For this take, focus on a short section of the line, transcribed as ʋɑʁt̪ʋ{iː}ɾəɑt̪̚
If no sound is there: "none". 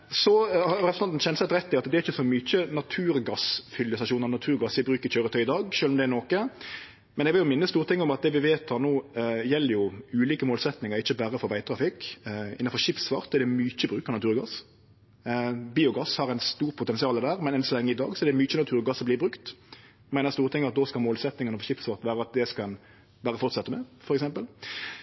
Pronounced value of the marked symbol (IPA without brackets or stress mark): æː